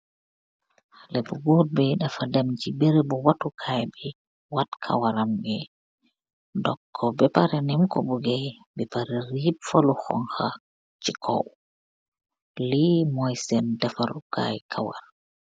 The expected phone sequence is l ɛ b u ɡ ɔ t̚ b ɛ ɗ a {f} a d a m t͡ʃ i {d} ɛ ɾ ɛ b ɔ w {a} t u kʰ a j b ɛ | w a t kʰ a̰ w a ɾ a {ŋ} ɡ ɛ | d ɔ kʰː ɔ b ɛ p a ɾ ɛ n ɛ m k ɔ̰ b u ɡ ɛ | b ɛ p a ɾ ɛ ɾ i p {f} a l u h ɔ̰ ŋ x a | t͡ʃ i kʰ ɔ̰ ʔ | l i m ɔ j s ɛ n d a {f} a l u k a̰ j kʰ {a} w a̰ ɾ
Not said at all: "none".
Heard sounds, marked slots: f, b, a, m, f, f, a

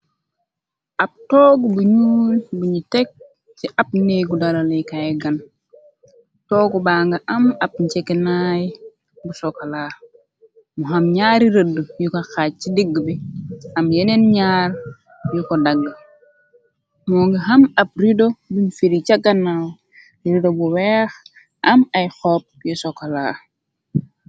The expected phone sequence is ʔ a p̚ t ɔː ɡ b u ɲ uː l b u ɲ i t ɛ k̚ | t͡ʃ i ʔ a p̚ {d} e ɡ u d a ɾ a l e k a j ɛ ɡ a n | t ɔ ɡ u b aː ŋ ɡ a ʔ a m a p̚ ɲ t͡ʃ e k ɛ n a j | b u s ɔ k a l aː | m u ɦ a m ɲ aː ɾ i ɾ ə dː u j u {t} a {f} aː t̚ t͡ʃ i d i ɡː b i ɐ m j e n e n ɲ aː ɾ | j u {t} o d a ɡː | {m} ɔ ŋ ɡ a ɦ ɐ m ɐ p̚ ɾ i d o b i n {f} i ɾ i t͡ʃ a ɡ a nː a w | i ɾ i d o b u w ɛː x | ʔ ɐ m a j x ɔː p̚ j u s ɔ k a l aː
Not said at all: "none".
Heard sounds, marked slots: n, k, x, k, m, f

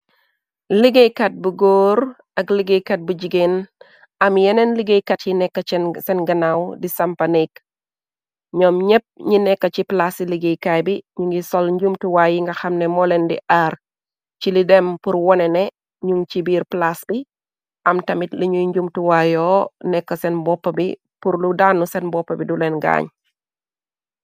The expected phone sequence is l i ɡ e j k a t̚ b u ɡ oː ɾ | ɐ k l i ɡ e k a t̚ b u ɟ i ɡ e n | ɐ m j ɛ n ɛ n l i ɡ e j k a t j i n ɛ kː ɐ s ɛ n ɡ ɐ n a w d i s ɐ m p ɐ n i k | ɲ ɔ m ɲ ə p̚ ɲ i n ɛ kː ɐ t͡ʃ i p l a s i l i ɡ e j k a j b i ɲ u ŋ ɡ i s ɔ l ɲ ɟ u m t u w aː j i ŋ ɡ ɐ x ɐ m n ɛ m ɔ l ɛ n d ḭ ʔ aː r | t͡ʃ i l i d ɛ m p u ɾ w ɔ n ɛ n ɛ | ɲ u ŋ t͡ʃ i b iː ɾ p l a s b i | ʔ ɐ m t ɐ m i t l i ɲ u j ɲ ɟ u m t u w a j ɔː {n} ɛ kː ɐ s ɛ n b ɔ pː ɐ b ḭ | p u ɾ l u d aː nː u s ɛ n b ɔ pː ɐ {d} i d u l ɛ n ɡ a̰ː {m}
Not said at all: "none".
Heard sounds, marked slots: n, b, ɲ

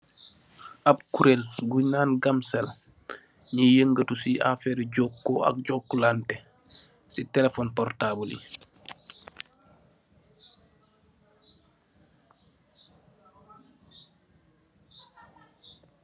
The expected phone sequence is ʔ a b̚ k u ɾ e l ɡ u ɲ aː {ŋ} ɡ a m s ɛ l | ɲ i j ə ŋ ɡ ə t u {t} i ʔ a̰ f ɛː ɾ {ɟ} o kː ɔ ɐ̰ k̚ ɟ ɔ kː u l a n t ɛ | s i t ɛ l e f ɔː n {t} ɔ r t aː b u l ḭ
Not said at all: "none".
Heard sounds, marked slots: n, s, ɟ, p

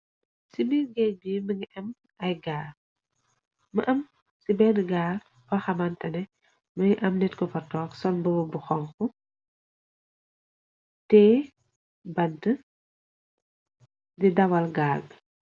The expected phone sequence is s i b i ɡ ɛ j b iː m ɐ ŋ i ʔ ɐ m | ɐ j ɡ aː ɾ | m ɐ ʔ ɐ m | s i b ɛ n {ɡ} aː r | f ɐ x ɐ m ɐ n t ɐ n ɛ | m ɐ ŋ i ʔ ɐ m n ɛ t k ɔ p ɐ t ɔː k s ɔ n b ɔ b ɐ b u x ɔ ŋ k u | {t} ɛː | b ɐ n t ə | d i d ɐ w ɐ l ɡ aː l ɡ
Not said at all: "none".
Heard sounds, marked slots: ɡ, t

